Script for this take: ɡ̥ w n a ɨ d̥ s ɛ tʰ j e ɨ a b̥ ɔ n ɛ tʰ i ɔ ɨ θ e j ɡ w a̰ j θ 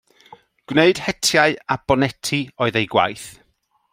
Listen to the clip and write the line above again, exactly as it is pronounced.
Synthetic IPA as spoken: ɡ̥ w n e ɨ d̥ h ɛ tʰ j a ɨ a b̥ ɔ n ɛ tʰ i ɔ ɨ ð e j ɡ w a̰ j θ